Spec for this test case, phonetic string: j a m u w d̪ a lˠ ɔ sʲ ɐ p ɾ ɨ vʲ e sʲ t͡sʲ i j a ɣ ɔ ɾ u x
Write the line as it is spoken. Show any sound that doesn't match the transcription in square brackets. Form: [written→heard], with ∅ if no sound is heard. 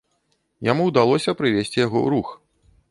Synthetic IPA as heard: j a m u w d̪ a lˠ ɔ sʲ ɐ p ɾ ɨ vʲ e sʲ t͡sʲ i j a ɣ ɔ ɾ u x

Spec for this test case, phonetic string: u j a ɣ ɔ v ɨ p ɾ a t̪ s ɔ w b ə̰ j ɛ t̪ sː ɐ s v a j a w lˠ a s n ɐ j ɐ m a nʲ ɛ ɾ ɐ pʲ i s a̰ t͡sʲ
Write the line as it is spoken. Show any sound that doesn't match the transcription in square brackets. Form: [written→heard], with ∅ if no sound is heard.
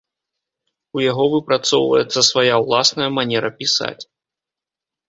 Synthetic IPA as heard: u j a ɣ ɔ v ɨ p ɾ a t̪ s ɔ w [b→v] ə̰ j ɛ t̪ sː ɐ s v a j a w lˠ a s n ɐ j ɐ m a nʲ ɛ ɾ ɐ pʲ i s a̰ t͡sʲ

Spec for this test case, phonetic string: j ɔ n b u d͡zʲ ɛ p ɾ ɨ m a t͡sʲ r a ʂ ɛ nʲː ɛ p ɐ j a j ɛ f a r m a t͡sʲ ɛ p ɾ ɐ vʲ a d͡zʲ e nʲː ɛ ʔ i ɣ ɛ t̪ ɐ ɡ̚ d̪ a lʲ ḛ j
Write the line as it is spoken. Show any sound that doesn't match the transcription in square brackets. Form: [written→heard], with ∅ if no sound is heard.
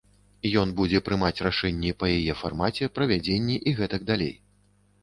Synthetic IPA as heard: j ɔ n b u d͡zʲ ɛ p ɾ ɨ m a t͡sʲ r a ʂ ɛ nʲː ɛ p ɐ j a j ɛ f a r m a t͡sʲ ɛ p ɾ ɐ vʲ a d͡zʲ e nʲː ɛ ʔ i ɣ ɛ t̪ ɐ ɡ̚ d̪ a lʲ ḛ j

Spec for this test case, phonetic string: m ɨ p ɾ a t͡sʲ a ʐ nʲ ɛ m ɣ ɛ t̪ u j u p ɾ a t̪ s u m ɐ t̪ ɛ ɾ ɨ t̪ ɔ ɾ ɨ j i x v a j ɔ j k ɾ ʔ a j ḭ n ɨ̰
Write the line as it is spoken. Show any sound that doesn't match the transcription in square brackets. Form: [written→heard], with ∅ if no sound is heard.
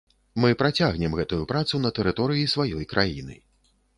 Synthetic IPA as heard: m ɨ p ɾ a t͡sʲ a [ʐ→ɣ] nʲ ɛ m ɣ ɛ t̪ u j u p ɾ a t̪ s u [m→n] ɐ t̪ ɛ ɾ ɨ t̪ ɔ ɾ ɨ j i [x→s] v a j ɔ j k ɾ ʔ a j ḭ n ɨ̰

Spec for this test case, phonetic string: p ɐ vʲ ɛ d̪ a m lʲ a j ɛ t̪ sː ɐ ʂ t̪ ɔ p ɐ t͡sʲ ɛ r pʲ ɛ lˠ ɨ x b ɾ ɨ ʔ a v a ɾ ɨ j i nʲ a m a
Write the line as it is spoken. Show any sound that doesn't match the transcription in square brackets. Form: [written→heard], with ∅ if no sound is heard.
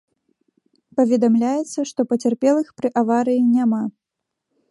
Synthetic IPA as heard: p ɐ vʲ ɛ d̪ a m lʲ a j ɛ t̪ sː ɐ ʂ t̪ ɔ p ɐ t͡sʲ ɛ r pʲ ɛ lˠ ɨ x [b→p] ɾ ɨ ʔ a v a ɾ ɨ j i nʲ a m a

